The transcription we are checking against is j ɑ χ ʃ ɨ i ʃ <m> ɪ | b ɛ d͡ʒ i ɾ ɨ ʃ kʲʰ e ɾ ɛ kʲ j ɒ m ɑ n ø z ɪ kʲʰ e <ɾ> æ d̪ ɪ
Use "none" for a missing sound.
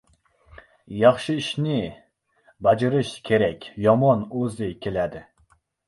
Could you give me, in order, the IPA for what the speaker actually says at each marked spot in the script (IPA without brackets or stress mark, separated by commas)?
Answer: n, l